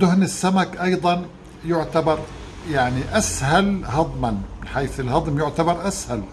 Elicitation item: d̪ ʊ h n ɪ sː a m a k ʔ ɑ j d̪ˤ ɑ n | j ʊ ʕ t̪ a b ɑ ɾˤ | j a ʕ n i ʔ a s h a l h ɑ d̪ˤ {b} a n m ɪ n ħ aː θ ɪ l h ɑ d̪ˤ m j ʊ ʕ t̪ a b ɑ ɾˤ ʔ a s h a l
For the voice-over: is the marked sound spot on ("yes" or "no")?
no